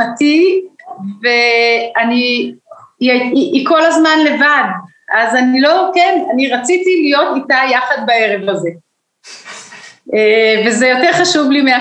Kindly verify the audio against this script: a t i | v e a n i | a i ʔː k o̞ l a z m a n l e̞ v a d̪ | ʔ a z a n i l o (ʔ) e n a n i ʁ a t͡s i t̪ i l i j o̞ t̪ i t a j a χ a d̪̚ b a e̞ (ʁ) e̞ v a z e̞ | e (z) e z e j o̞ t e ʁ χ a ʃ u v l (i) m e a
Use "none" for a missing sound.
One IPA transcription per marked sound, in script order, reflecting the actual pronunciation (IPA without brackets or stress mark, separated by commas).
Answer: k, ʁ, v, i